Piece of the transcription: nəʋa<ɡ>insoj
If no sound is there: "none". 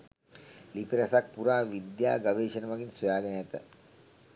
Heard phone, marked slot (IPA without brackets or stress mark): ɡ